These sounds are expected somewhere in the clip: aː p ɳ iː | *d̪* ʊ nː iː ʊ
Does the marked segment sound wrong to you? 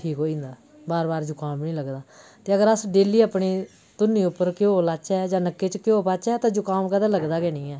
yes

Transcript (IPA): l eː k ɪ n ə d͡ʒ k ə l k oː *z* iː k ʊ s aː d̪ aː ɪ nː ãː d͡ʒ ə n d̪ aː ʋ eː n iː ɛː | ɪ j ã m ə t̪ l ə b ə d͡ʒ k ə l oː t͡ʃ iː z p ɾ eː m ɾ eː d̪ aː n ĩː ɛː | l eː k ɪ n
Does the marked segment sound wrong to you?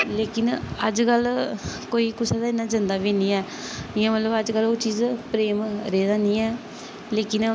yes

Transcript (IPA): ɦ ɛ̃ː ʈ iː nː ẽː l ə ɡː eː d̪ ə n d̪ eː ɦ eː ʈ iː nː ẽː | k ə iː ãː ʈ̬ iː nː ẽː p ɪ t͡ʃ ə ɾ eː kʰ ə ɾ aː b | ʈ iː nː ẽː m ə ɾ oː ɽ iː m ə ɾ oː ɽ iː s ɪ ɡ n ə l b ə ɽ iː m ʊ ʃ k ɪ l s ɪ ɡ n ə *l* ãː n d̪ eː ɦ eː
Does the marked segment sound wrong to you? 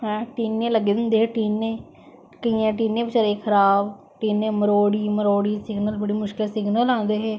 no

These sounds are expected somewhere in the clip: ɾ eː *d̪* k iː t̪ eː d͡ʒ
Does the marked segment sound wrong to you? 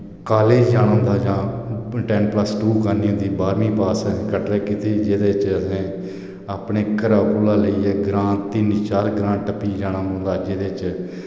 yes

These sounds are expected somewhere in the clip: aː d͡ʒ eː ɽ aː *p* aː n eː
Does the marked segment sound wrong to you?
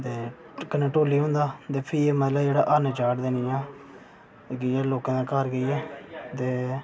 yes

